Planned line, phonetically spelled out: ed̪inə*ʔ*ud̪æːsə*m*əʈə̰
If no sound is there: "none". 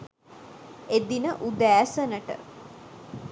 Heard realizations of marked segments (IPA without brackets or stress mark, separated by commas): ʔ, n